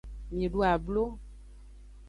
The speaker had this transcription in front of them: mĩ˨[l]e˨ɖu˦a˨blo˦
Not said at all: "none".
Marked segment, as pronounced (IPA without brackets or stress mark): none